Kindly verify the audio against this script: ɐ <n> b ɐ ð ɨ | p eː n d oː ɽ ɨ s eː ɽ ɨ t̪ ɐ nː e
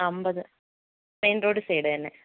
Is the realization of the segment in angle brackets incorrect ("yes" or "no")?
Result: yes